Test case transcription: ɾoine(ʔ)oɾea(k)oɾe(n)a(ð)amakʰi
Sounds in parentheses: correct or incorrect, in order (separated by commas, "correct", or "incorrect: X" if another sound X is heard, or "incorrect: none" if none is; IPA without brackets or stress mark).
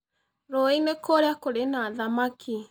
incorrect: k, correct, correct, correct